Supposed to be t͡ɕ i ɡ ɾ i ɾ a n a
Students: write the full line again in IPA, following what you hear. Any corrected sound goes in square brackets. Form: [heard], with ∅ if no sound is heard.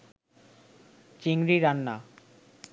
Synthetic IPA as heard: t͡ɕ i [ŋ] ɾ i ɾ a [nː] a